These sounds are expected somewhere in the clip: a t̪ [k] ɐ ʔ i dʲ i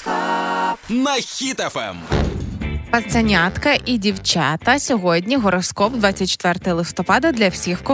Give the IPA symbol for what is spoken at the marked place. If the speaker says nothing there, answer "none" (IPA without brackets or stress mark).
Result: k